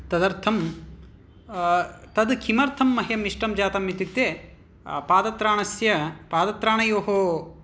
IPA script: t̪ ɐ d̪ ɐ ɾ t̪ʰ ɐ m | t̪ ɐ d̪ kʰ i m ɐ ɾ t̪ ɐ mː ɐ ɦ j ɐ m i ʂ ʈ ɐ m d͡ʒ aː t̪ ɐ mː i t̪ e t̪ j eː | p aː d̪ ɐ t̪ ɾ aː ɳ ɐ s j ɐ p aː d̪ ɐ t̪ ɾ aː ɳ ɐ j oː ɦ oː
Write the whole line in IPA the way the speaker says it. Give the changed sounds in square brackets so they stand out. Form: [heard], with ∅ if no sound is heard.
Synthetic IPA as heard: t̪ ɐ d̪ ɐ ɾ t̪ʰ ɐ m | t̪ ɐ d̪ kʰ i m ɐ ɾ [t̪ʰ] ɐ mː ɐ ɦ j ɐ m i ʂ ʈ ɐ m d͡ʒ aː t̪ ɐ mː i t̪ [i] t̪ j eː | p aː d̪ ɐ t̪ ɾ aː ɳ ɐ s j ɐ p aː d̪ ɐ t̪ ɾ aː ɳ ɐ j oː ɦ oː